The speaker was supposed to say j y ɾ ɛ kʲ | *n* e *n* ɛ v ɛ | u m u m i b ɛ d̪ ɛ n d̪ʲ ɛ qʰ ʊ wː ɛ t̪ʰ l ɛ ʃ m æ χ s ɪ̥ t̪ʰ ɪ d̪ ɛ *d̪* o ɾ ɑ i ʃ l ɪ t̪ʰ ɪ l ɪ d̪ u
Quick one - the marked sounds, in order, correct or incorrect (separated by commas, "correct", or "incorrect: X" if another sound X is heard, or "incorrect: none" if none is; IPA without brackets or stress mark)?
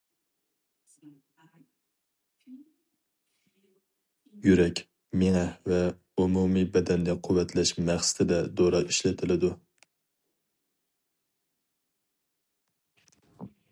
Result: incorrect: m, incorrect: ŋ, correct